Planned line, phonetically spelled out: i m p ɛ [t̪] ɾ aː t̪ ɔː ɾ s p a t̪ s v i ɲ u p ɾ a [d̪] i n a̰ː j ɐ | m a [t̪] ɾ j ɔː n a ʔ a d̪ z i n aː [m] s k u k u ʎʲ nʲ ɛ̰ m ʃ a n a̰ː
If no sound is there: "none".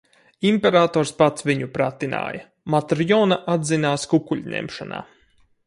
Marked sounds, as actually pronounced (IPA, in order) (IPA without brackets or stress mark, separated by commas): none, t̪, t̪, none